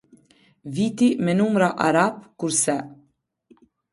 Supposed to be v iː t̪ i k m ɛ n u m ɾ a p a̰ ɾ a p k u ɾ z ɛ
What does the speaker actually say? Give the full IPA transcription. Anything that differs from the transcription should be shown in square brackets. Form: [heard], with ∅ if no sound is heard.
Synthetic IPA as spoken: v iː t̪ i [∅] m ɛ n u m ɾ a [ʔ] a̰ ɾ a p k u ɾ [s] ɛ